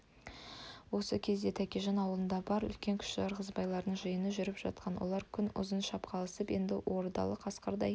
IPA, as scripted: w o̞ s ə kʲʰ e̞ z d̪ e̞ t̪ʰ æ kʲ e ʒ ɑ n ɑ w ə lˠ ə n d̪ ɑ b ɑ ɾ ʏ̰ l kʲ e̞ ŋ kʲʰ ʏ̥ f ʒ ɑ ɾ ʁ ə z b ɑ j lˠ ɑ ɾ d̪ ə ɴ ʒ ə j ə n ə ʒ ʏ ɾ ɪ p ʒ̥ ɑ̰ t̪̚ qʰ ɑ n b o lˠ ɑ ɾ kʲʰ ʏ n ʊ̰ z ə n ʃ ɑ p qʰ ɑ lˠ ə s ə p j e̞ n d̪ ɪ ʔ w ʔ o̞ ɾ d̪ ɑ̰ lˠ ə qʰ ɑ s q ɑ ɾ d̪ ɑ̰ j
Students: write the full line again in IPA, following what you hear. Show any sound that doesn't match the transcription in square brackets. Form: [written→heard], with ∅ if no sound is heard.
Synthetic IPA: w o̞ s ə kʲʰ e̞ z d̪ e̞ t̪ʰ æ kʲ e ʒ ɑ n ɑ w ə lˠ ə n d̪ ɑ b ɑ ɾ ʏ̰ l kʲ e̞ ŋ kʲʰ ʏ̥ [f→ʃ] ʒ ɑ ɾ ʁ ə z b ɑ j lˠ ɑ ɾ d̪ ə ɴ ʒ ə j ə n ə ʒ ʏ ɾ ɪ p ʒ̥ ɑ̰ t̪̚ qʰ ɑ n [b→w] o lˠ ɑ ɾ kʲʰ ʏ n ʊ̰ z ə n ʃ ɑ p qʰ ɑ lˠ ə s ə p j e̞ n d̪ ɪ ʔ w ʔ o̞ ɾ d̪ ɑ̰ lˠ ə qʰ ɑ s q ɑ ɾ d̪ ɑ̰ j

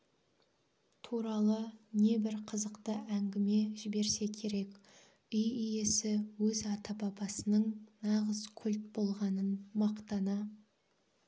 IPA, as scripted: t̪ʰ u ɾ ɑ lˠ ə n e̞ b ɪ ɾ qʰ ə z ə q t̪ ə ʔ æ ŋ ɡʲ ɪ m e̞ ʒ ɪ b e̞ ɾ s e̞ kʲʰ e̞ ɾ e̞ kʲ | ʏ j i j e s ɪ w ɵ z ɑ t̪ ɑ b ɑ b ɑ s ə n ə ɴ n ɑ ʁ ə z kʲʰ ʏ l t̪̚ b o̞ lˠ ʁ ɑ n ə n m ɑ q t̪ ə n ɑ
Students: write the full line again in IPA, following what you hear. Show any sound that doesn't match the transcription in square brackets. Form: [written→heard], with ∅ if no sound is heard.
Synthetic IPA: t̪ʰ u ɾ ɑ lˠ ə n e̞ b ɪ ɾ qʰ ə z ə q t̪ ə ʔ æ ŋ ɡʲ ɪ m e̞ ʒ ɪ b e̞ ɾ s e̞ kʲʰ e̞ ɾ e̞ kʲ | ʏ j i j e s ɪ w ɵ z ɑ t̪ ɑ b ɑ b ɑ s ə n ə ɴ n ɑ ʁ ə z kʲʰ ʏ l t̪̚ b o̞ lˠ ʁ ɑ n ə n m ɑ q t̪ [ə→ɑ] n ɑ

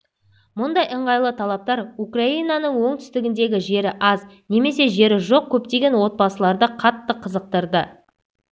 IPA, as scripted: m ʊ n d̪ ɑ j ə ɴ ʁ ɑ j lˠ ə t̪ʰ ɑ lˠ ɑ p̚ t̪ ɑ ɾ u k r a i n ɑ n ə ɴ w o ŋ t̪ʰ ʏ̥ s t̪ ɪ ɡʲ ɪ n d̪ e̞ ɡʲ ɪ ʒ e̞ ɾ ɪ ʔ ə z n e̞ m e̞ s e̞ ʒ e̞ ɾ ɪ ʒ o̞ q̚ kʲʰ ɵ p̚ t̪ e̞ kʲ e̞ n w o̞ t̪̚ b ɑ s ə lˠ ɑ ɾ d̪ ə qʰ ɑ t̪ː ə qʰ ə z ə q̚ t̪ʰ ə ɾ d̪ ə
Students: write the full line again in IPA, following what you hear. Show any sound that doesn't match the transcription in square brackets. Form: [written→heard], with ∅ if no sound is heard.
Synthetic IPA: m ʊ n d̪ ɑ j ə ɴ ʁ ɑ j lˠ ə t̪ʰ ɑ lˠ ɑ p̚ t̪ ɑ ɾ u k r a i n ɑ n ə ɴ w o ŋ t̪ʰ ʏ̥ s t̪ ɪ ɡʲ ɪ n d̪ e̞ ɡʲ ɪ ʒ e̞ ɾ ɪ ʔ [ə→ɑ] z n e̞ m e̞ s e̞ ʒ e̞ ɾ ɪ ʒ o̞ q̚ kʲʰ ɵ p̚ t̪ e̞ [kʲ→ɡʲ] e̞ n w o̞ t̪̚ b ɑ s ə lˠ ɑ ɾ d̪ ə qʰ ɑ t̪ː ə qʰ ə z ə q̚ [t̪ʰ→t̪] ə ɾ d̪ ə

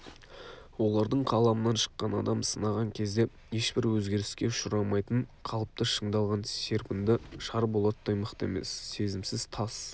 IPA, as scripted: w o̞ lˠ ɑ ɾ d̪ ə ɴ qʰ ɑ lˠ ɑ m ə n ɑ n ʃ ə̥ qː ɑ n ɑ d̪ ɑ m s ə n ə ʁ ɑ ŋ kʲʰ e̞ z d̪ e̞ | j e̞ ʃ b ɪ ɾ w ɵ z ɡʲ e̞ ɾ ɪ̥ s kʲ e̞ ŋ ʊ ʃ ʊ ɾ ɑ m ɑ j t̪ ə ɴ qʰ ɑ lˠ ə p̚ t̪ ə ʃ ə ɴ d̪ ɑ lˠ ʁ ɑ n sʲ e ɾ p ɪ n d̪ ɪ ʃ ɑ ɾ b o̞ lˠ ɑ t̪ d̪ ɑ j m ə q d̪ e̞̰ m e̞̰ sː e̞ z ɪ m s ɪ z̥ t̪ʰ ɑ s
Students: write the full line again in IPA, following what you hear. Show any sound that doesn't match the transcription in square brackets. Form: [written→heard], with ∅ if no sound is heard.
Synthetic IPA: w o̞ lˠ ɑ ɾ d̪ ə ɴ qʰ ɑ lˠ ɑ m ə n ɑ n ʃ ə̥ qː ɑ n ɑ d̪ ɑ m s ə n [ə→ɑ] ʁ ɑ ŋ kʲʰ e̞ z d̪ e̞ | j e̞ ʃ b ɪ ɾ w ɵ z ɡʲ e̞ ɾ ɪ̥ s kʲ e̞ [ŋ→∅] ʊ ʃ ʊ ɾ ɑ m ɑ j t̪ ə ɴ qʰ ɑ lˠ ə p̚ t̪ ə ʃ ə ɴ d̪ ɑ lˠ ʁ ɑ n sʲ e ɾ p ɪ n d̪ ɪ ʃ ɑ ɾ b o̞ lˠ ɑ t̪ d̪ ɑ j m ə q [d̪→t̪] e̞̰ m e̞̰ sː e̞ z ɪ m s ɪ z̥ t̪ʰ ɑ s

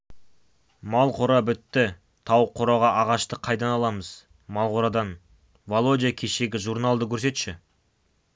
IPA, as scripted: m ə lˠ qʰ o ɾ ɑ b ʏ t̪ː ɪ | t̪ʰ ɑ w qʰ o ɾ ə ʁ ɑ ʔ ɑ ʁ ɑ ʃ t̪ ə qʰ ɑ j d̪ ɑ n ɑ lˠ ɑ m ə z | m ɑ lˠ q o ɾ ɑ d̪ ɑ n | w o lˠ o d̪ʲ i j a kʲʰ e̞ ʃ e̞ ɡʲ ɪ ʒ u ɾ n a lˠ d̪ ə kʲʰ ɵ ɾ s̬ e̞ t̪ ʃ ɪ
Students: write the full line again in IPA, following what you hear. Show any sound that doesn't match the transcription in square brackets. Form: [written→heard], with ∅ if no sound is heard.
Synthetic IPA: m [ə→ɑ] lˠ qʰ o ɾ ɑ b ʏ t̪ː ɪ | t̪ʰ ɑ w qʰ o ɾ [ə→ɑ] ʁ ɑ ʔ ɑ ʁ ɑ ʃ t̪ ə qʰ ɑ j d̪ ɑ n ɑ lˠ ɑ m ə z | m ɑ lˠ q o ɾ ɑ d̪ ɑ n | [w→v] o lˠ o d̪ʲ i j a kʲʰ e̞ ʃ e̞ ɡʲ ɪ ʒ u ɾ n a lˠ d̪ ə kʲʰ ɵ ɾ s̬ e̞ t̪ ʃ ɪ

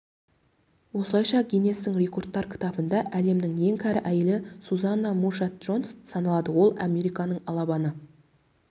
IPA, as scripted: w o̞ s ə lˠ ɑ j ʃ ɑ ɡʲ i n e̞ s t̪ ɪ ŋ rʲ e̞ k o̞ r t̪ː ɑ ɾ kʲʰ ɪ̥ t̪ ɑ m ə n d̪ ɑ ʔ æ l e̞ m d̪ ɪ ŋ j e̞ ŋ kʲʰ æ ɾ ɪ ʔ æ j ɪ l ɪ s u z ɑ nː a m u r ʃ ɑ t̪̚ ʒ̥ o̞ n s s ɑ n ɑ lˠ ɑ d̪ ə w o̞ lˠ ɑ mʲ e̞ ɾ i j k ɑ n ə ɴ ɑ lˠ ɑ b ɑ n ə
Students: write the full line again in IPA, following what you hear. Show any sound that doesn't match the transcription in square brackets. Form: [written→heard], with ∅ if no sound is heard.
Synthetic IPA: w o̞ s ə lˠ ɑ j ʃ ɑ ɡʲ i n e̞ s t̪ ɪ ŋ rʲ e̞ k o̞ r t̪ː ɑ ɾ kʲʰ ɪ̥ t̪ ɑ [m→b] ə n d̪ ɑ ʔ æ l e̞ m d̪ ɪ ŋ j e̞ ŋ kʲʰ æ ɾ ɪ ʔ æ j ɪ l ɪ s u z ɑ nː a m u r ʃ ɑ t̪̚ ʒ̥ o̞ n s s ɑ n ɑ lˠ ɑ d̪ ə w o̞ lˠ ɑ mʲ e̞ ɾ i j k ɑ n ə ɴ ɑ lˠ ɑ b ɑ n ə

